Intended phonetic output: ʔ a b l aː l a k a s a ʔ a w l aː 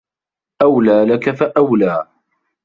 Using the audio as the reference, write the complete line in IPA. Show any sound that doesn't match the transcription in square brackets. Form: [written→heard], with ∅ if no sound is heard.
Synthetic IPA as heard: ʔ a [b→w] l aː l a k a [s→f] a ʔ a w l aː

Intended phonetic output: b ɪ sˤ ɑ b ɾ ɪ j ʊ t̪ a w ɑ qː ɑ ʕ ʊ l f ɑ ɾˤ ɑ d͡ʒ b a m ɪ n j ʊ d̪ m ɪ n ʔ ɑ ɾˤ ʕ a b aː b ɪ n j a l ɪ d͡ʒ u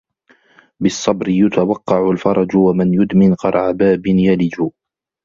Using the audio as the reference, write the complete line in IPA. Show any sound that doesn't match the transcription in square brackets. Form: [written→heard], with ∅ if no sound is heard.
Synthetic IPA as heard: b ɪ [sˤ→sˤː] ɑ b ɾ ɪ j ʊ t̪ a w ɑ qː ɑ ʕ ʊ l f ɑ ɾˤ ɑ d͡ʒ [b→w] a m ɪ n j ʊ d̪ m ɪ n [ʔ→q] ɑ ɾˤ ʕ a b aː b ɪ n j a l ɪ d͡ʒ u

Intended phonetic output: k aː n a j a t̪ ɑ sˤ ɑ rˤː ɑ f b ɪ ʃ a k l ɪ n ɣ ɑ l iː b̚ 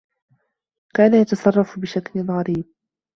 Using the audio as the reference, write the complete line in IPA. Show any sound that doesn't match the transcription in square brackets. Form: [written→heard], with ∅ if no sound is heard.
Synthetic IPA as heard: k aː n a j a t̪ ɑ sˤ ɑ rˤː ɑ f b ɪ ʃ a k l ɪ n ɣ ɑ [l→ɾ] iː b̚

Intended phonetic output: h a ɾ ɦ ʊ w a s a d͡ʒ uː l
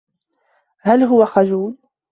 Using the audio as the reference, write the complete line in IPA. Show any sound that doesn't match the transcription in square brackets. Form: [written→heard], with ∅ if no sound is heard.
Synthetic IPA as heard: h a [ɾ→l] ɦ ʊ w a [s→x] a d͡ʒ uː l

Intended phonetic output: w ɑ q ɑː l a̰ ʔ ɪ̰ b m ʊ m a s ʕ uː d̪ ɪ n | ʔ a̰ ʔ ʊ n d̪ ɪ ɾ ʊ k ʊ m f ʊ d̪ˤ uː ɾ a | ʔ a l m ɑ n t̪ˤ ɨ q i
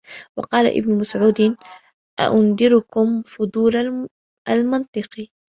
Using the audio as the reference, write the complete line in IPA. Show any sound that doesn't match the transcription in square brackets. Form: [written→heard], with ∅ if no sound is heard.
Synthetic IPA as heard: w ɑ q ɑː l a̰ ʔ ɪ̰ b [m→n] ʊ m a s ʕ uː d̪ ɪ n | ʔ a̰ ʔ ʊ n d̪ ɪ ɾ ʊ k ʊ m f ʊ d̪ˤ uː ɾ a | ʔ a l m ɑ n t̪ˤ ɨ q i

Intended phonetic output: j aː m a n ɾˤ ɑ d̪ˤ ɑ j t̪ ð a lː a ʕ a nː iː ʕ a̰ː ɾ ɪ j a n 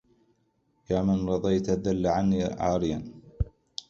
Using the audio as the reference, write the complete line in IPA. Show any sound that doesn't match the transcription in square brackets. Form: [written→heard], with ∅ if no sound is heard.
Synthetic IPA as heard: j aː m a n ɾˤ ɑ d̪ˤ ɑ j t̪ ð a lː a ʕ a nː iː ʕ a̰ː ɾ ɪ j a n

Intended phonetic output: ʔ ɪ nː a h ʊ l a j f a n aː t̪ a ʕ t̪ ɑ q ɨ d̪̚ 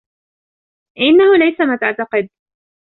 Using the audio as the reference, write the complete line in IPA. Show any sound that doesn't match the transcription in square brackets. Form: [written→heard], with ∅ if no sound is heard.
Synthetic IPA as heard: ʔ ɪ nː a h ʊ l a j [f→s] a [n→m] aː t̪ a ʕ t̪ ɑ q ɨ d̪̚

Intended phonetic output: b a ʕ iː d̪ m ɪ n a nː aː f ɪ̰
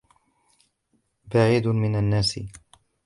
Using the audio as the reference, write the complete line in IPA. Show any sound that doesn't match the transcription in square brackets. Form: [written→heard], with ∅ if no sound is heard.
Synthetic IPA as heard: b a ʕ iː d̪ m ɪ n a nː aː [f→s] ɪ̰

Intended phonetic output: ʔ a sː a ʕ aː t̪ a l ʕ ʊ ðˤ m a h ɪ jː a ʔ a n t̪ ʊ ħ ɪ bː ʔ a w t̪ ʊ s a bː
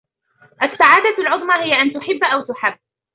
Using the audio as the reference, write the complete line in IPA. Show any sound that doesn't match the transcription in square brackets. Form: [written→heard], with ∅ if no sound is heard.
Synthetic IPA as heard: ʔ a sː a ʕ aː [t̪→d̪] a l ʕ ʊ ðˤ m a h ɪ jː a ʔ a n t̪ ʊ ħ ɪ bː ʔ a w t̪ ʊ [s→ħ] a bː

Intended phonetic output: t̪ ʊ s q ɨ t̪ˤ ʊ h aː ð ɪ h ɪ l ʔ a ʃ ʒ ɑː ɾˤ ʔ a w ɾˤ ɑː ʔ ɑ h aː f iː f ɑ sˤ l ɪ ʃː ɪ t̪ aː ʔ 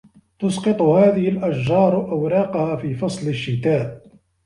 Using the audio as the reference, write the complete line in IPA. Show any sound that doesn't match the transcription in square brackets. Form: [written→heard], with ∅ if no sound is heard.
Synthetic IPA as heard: t̪ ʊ s q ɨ t̪ˤ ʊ h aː ð ɪ h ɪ l ʔ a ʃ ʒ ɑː ɾˤ ʔ a w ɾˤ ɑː [ʔ→q] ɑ h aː f iː f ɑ sˤ l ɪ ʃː ɪ t̪ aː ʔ

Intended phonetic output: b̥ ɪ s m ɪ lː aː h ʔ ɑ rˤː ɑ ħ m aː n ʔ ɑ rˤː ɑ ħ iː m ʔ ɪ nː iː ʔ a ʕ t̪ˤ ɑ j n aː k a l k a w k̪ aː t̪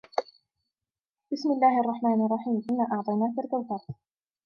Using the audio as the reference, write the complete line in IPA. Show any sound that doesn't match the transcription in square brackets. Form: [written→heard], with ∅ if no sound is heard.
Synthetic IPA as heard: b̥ ɪ s m ɪ lː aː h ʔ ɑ rˤː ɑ ħ m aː n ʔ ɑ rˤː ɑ ħ iː m ʔ ɪ nː [iː→aː] ʔ [a→ɑ] ʕ t̪ˤ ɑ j n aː k a l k a w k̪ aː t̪

